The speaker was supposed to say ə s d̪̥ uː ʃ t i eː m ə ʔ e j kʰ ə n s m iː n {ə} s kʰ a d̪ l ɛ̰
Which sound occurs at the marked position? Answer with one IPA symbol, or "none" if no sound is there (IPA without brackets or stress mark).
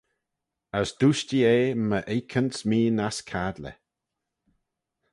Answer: a